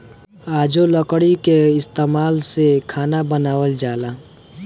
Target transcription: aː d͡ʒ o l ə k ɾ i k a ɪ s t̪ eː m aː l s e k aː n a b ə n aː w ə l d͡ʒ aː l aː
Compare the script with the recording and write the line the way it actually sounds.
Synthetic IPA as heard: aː d͡ʒ o l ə k ɽ i k e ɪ s t̪ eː m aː l s e kʰ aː n a b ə n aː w ə l d͡ʒ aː l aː